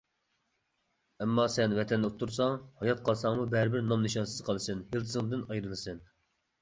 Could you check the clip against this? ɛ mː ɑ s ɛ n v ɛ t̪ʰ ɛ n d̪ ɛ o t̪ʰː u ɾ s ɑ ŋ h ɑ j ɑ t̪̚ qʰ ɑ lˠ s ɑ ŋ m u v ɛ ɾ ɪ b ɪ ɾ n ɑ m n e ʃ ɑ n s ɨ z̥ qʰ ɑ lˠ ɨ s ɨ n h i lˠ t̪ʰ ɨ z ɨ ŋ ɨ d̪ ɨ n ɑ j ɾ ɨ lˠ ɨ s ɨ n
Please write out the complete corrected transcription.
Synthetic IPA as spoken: ɛ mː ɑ s ɛ n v ɛ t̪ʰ ɛ n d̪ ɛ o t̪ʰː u ɾ s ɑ ŋ h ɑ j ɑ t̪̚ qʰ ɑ lˠ s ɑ ŋ m u b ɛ ɾ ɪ b ɪ ɾ n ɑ m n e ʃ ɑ n s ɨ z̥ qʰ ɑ lˠ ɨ s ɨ n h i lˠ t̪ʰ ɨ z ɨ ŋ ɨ d̪ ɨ n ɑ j ɾ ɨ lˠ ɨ s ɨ n